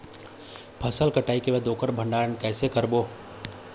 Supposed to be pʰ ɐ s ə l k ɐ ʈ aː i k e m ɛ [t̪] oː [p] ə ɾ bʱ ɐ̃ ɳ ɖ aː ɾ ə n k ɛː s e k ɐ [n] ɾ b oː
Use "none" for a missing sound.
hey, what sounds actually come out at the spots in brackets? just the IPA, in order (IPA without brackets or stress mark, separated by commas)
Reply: d̪, k, none